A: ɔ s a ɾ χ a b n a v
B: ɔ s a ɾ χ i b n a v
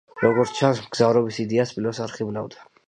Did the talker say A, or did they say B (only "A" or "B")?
B